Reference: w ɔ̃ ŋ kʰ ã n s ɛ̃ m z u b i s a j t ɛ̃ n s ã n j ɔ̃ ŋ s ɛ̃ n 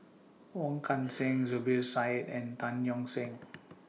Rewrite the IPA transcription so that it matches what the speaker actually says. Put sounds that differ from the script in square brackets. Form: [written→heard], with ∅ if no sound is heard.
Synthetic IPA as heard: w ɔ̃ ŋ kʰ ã n s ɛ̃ [m→ŋ] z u b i s a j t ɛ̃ n [s→t] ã n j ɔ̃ ŋ s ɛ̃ [n→ŋ]